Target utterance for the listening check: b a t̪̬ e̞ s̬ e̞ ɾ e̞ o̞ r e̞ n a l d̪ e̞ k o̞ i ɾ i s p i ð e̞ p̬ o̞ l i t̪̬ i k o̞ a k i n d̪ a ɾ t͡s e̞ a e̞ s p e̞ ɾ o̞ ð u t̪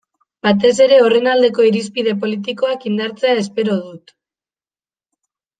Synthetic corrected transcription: b a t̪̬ e̞ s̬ e̞ ɾ e̞ o̞ r e̞ n a l d̪ e̞ k o̞ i ɾ i s p i ð e̞ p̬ o̞ l i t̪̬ i k o̞ a k i n d̪ a ɾ t͡s e̞ a e̞ s p e̞ ɾ o̞ ð u t̪

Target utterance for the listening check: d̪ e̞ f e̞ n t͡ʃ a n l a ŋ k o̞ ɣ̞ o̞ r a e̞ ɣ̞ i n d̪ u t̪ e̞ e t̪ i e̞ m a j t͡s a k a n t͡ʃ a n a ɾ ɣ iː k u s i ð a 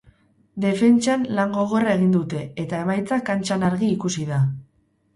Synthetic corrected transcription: d̪ e̞ f e̞ n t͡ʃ a n l a ŋ ɡ o̞ ɣ̞ o̞ r a e̞ ɣ̞ i n d̪ u t̪ e̞ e t̪ a e̞ m a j t͡s a k a n t͡ʃ a n a ɾ ɣ iː k u s i ð a

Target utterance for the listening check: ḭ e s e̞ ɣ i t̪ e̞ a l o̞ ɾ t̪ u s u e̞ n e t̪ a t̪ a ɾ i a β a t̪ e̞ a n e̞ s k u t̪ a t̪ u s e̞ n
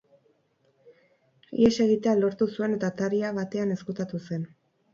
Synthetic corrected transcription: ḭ e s e̞ ɣ i t̪ e̞ a l o̞ ɾ t̪ u s u e̞ n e t̪ a t̪ a ɾ i a β a t̪ e̞ a n e̞ s k u t̪ a t̪ u s e̞ n

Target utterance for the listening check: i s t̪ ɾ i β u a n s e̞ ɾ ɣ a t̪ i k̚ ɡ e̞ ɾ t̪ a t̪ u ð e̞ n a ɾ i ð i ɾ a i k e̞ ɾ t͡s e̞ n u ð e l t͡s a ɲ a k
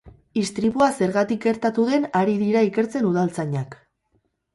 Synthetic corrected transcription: i s t̪ ɾ i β u a s e̞ ɾ ɣ a t̪ i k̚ ɡ e̞ ɾ t̪ a t̪ u ð e̞ n a ɾ i ð i ɾ a i k e̞ ɾ t͡s e̞ n u ð a l t͡s a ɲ a k

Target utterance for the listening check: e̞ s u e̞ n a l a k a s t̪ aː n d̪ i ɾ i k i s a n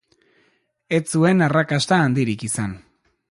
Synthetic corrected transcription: e̞ t͡s u e̞ n a r a k a s t̪ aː n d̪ i ɾ i k i s a n

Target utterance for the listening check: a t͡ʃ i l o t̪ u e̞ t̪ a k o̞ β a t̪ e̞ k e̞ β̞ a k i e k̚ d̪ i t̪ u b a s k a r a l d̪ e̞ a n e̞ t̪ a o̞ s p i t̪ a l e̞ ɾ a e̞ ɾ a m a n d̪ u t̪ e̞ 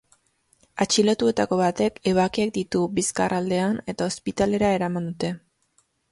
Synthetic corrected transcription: a t͡ʃ i l o t̪ u e̞ t̪ a k o̞ β a t̪ e̞ k e̞ β̞ a k i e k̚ d̪ i t̪ u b i s k a r a l d̪ e̞ a n e̞ t̪ a o̞ s p i t̪ a l e̞ ɾ a e̞ ɾ a m a n d̪ u t̪ e̞

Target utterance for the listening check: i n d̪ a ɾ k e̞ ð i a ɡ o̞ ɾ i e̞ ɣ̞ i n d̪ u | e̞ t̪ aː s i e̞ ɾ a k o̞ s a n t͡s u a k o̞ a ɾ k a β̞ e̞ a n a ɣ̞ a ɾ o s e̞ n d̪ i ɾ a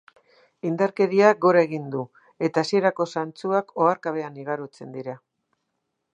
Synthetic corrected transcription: i n d̪ a ɾ k e̞ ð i a ɡ o̞ ɾ a e̞ ɣ̞ i n d̪ u | e̞ t̪ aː s i e̞ ɾ a k o̞ s a n t͡s u a k o̞ a ɾ k a β̞ e̞ a n i ɣ̞ a ɾ o t͡s e̞ n d̪ i ɾ a

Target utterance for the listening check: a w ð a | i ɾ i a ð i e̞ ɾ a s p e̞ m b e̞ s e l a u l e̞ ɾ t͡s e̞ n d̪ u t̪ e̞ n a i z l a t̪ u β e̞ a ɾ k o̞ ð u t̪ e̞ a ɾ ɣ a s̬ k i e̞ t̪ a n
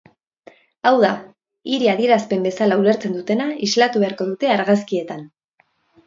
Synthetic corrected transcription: a w ð a | i ɾ i a ð i e̞ ɾ a s p e̞ m b e̞ s a l a u l e̞ ɾ t͡s e̞ n d̪ u t̪ e̞ n a i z l a t̪ u β e̞ a ɾ k o̞ ð u t̪ e̞ a ɾ ɣ a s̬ k i e̞ t̪ a n

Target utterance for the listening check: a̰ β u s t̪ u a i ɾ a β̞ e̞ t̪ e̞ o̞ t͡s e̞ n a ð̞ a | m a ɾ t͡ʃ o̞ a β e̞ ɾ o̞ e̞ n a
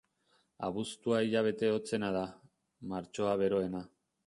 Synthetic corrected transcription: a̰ β u s t̪ u a i ʎ a β̞ e̞ t̪ e̞ o̞ t͡s e̞ n a ð̞ a | m a ɾ t͡ʃ o̞ a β e̞ ɾ o̞ e̞ n a

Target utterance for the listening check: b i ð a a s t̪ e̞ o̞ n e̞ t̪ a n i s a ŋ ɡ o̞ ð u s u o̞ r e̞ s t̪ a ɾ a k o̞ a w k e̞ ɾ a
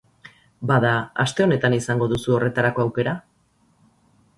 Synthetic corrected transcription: b a ð a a s t̪ e̞ o̞ n e̞ t̪ a n i s a ŋ ɡ o̞ ð u s u o̞ r e̞ t̪ a ɾ a k o̞ a w k e̞ ɾ a

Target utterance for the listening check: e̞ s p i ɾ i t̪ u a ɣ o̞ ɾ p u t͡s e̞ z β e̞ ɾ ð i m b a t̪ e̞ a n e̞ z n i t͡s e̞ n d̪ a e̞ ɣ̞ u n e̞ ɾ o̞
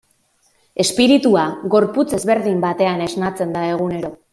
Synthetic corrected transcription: e̞ s p i ɾ i t̪ u a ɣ o̞ ɾ p u t͡s e̞ z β e̞ ɾ ð i m b a t̪ e̞ a n e̞ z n a t͡s e̞ n d̪ a e̞ ɣ̞ u n e̞ ɾ o̞

